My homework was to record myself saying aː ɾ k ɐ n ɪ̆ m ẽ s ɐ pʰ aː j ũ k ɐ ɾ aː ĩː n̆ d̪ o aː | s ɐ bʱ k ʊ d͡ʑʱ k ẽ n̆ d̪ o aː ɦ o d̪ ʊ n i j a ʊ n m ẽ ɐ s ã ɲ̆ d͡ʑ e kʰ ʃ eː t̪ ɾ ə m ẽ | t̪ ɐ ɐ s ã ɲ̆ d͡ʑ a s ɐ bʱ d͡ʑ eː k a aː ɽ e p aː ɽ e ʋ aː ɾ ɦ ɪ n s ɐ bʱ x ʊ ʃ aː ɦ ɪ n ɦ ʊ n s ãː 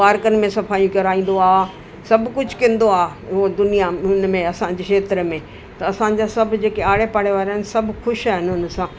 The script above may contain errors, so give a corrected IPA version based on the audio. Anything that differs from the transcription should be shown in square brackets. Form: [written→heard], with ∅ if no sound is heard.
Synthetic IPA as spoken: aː ɾ k [ɐ→ə] n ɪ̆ m ẽ s ɐ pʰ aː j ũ k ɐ ɾ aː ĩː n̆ d̪ o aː | s ɐ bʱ k ʊ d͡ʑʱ k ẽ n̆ d̪ o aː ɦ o d̪ ʊ n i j a ʊ n m ẽ ɐ s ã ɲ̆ d͡ʑ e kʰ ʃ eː t̪ ɾ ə m ẽ | t̪ ɐ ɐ s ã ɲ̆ d͡ʑ a s ɐ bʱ d͡ʑ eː k [a→e] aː ɽ e p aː ɽ e ʋ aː ɾ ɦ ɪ n s ɐ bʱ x ʊ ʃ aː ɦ ɪ n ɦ ʊ n s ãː